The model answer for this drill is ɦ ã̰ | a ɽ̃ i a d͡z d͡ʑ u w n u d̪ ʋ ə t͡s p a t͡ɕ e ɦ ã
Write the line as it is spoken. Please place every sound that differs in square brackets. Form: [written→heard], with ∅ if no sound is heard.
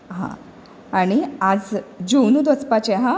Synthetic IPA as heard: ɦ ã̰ | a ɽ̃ i a d͡z d͡ʑ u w n u d̪ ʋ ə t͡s p a t͡ɕ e ɦ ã

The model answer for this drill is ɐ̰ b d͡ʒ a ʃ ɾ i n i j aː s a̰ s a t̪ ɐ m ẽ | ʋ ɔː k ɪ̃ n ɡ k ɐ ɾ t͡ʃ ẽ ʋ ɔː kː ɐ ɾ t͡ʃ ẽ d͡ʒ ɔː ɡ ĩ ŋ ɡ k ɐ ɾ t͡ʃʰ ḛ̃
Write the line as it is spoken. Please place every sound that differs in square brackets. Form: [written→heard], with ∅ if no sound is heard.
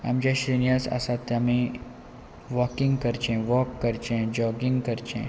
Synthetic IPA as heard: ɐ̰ [b→m] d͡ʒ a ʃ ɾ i n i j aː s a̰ s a t̪ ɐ m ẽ | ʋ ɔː k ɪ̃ [n→ŋ] ɡ k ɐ ɾ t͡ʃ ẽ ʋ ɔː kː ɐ ɾ t͡ʃ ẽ d͡ʒ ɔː ɡ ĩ ŋ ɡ k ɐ ɾ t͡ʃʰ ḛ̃

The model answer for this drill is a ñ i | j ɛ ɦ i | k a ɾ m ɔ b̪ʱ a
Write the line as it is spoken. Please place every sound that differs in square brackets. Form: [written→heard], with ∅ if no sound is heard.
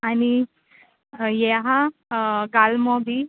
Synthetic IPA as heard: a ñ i | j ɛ ɦ [i→a] | [k→ɡ] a [ɾ→l] m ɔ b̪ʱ [a→i]

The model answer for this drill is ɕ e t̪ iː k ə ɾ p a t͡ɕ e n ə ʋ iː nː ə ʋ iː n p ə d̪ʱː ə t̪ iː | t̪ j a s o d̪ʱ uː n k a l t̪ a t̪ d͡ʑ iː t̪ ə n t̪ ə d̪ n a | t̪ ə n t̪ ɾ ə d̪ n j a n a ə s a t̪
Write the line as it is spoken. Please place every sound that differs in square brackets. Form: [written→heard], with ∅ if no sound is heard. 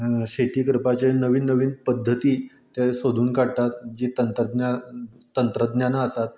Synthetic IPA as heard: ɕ e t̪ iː k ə ɾ p a t͡ɕ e n ə ʋ iː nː ə ʋ iː n p ə d̪ʱː ə t̪ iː | t̪ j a s o d̪ʱ uː n k a [l→ɽ] t̪ a t̪ d͡ʑ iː t̪ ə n t̪ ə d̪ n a | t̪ ə n t̪ ɾ ə d̪ n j a n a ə s a t̪

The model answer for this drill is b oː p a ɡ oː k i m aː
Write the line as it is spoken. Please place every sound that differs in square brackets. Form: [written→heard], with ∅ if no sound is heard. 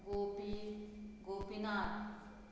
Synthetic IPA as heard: [b→ɡ] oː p [a→i] ɡ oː [k→p] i [m→n] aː

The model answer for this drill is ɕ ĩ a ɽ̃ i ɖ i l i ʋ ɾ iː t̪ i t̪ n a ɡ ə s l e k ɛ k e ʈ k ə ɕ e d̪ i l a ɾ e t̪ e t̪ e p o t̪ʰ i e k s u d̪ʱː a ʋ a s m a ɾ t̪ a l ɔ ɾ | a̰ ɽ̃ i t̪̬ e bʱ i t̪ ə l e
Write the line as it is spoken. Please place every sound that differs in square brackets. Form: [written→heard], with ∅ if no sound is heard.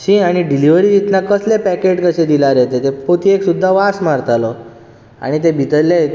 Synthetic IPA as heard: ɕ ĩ a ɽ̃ i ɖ i l i ʋ ɾ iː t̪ i t̪ n a [ɡ→k] ə s l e [k→p] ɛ k e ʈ k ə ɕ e d̪ i l a ɾ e t̪ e t̪ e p o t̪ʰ i e k s u d̪ʱː a ʋ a s m a ɾ t̪ a l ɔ [ɾ→∅] | a̰ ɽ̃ i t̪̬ e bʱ i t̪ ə l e

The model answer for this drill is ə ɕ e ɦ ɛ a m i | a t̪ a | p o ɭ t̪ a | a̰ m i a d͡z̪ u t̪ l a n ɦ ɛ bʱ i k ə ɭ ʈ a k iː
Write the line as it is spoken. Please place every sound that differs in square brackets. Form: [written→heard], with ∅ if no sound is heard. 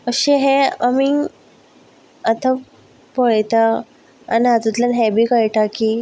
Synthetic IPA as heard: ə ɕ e ɦ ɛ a m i | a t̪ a | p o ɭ t̪ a | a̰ [m→n] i a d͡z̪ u t̪ l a n ɦ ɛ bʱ i k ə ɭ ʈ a k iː

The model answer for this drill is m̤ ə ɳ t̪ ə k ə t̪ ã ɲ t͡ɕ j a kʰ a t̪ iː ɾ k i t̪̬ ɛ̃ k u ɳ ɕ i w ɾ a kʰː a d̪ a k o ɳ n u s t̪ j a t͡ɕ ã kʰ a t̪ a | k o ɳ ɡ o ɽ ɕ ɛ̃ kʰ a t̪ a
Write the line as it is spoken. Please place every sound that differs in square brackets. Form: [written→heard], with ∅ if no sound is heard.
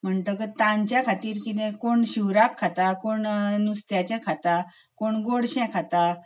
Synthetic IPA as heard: m̤ ə ɳ t̪ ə k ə t̪ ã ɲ t͡ɕ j a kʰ a t̪ iː ɾ k i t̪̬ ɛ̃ k [u→o] ɳ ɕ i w ɾ a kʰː a [d̪→t̪] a k o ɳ n u s t̪ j a t͡ɕ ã kʰ a t̪ a | k o ɳ ɡ o ɽ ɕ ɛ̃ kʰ a t̪ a

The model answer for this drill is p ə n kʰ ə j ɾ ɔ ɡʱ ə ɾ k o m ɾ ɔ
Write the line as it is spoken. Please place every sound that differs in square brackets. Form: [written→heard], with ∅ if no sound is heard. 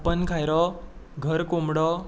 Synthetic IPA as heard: p ə n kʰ [ə→a] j ɾ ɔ ɡʱ ə ɾ k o m [ɾ→ɽ] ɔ

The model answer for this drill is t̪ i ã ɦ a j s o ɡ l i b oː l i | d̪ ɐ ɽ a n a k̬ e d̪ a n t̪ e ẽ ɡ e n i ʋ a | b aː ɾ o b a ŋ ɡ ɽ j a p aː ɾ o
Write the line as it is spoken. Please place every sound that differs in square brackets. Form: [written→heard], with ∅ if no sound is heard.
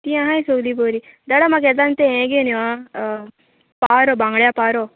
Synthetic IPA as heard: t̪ i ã ɦ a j s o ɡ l i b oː [l→ɾ] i | d̪ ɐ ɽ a [n→m] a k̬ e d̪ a n t̪ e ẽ ɡ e n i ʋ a | [b→p] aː ɾ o b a ŋ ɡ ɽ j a p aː ɾ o

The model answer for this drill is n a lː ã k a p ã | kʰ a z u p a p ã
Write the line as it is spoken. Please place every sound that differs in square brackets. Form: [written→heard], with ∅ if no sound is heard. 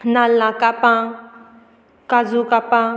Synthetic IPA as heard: n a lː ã k a p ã | [kʰ→k] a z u [p→k] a p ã

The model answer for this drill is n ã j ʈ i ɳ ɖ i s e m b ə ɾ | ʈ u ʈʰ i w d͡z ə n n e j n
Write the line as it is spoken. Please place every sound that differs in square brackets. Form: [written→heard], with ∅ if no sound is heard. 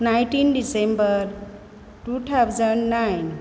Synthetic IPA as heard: n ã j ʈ i [ɳ→n] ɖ i s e m b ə ɾ | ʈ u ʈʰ [i→a] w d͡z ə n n [e→a] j n

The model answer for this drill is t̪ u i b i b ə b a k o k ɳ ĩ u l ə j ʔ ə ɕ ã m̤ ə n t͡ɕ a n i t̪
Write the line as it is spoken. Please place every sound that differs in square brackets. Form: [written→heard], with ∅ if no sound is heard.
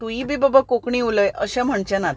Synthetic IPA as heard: t̪ u i b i b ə b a k o k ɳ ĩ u l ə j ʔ ə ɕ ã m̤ ə [n→ɳ] t͡ɕ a n [i→a] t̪

